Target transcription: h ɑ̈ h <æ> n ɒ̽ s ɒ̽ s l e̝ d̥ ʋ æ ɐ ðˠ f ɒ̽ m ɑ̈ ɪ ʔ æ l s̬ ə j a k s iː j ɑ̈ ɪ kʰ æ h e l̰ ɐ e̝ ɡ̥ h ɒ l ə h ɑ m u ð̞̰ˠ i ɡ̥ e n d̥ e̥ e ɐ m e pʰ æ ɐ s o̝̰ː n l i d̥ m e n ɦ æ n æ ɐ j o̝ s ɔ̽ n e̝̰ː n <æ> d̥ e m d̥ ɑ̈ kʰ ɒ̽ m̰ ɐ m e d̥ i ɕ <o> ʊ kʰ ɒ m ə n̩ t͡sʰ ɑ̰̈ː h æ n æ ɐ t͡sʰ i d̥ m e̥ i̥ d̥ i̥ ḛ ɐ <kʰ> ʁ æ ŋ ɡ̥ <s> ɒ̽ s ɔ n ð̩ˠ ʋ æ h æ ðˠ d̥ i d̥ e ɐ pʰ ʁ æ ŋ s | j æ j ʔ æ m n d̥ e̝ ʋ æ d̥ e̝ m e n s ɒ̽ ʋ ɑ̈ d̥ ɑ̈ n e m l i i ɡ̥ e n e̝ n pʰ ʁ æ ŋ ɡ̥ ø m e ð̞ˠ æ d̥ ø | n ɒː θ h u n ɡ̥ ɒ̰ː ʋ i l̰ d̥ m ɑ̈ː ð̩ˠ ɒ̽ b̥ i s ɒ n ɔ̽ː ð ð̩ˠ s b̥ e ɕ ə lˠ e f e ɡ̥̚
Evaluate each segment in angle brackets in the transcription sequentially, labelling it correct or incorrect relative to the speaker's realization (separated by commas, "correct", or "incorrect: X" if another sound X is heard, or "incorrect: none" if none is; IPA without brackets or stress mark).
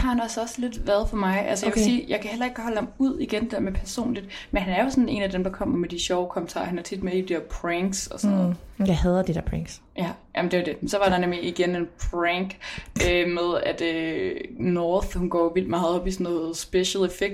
correct, correct, incorrect: ɒ, incorrect: pʰ, correct